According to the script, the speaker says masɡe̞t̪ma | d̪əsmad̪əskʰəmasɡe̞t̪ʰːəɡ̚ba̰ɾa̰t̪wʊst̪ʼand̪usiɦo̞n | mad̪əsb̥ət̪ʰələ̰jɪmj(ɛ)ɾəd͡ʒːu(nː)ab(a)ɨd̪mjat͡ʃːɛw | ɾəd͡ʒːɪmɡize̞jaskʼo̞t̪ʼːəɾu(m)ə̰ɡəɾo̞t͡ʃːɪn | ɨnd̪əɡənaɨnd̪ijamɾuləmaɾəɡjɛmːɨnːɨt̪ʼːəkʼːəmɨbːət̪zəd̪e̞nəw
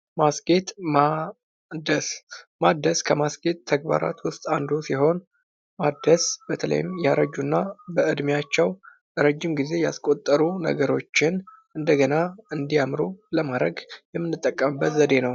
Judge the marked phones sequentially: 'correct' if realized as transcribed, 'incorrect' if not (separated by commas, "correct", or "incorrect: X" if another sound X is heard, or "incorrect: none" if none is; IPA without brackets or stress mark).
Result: incorrect: a, correct, incorrect: ə, incorrect: n